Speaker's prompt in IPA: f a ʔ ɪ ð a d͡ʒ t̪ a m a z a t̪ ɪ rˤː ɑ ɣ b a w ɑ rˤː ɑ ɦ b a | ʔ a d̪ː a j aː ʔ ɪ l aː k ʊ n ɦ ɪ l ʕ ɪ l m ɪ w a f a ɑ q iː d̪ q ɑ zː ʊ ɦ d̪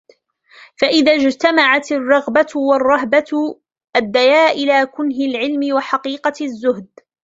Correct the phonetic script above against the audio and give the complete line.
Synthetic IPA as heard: f a ʔ ɪ ð a d͡ʒ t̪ a m a ʕ a t̪ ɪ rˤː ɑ ɣ b a w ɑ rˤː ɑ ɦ b a | ʔ a d̪ː a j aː ʔ ɪ l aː k ʊ n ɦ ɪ l ʕ ɪ l m ɪ w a ħ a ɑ q iː q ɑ zː ʊ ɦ d̪